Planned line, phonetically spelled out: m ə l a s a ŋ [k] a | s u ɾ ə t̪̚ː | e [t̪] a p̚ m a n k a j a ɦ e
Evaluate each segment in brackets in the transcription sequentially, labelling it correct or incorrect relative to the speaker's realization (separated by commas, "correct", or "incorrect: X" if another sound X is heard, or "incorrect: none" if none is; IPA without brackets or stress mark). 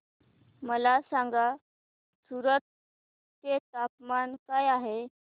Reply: incorrect: ɡ, correct